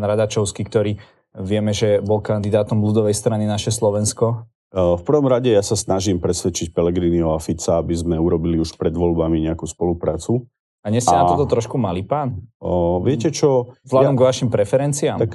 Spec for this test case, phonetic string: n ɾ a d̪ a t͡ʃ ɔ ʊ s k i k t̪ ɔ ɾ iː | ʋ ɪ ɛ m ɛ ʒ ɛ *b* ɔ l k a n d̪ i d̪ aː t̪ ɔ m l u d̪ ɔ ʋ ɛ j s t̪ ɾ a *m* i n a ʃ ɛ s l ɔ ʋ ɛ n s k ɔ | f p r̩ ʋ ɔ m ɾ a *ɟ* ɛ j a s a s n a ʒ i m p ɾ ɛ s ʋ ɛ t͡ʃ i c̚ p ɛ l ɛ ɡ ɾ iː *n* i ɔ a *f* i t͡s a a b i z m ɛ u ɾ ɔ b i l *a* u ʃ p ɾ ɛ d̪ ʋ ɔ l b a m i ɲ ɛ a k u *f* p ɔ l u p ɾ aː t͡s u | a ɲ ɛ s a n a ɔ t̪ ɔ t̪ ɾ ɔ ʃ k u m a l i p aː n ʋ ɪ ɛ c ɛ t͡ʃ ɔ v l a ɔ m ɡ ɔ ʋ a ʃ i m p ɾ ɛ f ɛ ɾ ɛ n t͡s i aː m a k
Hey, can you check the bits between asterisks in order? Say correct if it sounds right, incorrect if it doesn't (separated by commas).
correct, incorrect, correct, correct, correct, incorrect, incorrect